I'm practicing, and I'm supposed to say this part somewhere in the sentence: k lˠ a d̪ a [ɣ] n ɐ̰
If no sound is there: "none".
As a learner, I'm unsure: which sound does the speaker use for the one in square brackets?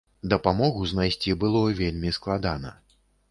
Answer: none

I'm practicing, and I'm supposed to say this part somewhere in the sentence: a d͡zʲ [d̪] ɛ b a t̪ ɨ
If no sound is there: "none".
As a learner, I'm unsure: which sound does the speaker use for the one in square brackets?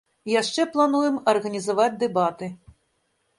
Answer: d̪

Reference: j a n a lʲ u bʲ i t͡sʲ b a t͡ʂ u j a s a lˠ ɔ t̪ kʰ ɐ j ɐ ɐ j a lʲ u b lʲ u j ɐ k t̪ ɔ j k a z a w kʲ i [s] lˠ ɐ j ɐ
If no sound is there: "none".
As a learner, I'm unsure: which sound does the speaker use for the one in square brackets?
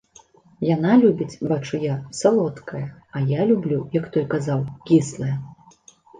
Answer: s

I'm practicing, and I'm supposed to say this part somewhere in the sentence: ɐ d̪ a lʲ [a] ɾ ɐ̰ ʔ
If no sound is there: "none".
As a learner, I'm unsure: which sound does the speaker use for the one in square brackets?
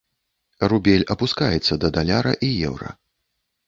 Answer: a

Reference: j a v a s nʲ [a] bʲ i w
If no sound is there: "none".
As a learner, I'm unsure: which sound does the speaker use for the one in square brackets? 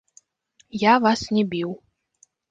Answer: ɛ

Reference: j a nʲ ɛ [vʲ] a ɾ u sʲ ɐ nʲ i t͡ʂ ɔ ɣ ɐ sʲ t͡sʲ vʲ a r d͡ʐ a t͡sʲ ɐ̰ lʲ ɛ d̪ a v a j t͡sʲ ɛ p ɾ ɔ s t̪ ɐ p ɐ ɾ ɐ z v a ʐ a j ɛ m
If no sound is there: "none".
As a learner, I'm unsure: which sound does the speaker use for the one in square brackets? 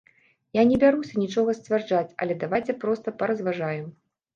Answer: bʲ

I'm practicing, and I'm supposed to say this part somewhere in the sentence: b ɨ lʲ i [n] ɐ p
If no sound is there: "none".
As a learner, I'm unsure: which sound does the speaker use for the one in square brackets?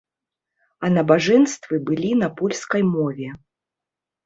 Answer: n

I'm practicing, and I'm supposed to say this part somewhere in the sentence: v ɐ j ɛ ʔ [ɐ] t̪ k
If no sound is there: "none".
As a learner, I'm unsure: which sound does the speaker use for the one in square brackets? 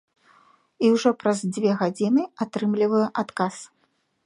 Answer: a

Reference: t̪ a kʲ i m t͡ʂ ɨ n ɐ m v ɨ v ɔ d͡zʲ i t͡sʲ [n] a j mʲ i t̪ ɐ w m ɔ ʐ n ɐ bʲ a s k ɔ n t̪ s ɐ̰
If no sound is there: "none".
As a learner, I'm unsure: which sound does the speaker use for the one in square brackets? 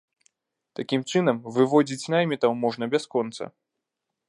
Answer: n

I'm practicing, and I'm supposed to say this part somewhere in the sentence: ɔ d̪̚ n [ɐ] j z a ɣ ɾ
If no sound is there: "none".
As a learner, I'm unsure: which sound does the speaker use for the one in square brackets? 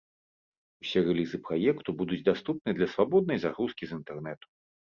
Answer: ɐ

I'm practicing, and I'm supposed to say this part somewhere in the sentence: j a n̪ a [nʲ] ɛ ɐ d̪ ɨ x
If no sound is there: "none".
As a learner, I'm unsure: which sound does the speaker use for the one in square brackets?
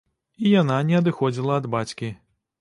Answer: nʲ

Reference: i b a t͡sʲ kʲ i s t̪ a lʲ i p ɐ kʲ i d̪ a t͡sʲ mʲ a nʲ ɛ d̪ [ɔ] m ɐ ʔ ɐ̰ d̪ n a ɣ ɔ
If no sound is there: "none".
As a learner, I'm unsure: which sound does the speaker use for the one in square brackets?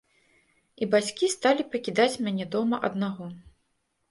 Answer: ɔ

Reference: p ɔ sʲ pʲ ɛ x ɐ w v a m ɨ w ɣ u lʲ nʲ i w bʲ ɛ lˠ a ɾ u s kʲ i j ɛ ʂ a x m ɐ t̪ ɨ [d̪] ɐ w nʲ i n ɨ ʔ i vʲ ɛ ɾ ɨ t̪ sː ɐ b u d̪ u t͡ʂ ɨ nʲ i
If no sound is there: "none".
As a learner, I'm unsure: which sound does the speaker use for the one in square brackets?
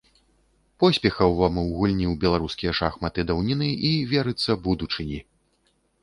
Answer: d̪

